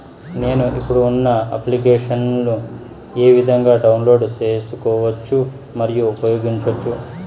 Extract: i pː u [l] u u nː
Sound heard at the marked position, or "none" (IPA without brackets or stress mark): ɽ